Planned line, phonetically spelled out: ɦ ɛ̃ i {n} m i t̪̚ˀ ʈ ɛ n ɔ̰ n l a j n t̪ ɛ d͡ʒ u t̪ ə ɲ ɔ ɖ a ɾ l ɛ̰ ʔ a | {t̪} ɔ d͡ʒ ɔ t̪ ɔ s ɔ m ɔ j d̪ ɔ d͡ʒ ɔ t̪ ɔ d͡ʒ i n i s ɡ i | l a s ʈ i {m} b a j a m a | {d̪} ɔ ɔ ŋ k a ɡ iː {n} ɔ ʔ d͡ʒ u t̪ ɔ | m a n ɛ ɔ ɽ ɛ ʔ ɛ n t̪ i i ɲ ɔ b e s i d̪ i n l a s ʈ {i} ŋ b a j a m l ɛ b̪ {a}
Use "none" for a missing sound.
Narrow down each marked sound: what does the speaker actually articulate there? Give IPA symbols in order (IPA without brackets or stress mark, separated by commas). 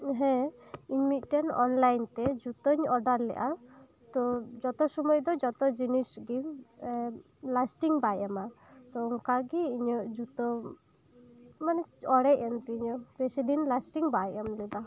ɲ, t̪, ŋ, t̪, ɲ, i, a